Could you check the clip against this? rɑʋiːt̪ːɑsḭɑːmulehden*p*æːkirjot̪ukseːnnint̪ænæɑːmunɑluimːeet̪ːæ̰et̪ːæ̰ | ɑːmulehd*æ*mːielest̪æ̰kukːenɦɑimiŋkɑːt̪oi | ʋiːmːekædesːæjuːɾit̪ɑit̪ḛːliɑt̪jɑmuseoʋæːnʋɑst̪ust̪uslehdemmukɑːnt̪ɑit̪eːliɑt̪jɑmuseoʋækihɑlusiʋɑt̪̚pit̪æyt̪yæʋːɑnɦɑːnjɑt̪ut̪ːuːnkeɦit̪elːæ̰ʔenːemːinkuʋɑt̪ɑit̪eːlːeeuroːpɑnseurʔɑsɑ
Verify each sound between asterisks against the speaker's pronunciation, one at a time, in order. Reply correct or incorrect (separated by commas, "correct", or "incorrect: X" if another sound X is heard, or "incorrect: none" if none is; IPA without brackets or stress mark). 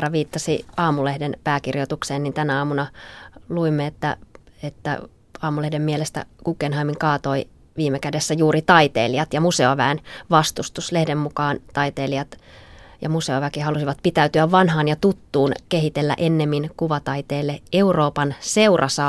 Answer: correct, incorrect: e